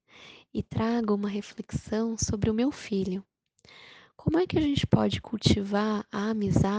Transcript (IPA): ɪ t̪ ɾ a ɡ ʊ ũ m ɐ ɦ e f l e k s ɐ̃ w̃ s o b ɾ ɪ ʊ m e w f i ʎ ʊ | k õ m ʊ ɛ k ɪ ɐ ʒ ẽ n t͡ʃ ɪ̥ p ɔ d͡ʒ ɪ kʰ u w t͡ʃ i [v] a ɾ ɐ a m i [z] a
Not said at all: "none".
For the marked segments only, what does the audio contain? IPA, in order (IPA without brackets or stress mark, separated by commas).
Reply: v, z